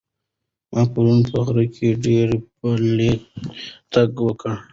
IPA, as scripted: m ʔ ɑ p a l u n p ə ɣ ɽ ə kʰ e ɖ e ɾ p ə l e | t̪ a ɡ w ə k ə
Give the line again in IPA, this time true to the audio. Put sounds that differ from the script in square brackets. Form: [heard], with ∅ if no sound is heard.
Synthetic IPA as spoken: m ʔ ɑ p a [ɾ] u n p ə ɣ [ɾ] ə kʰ e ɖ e ɾ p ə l e | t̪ a ɡ w ə k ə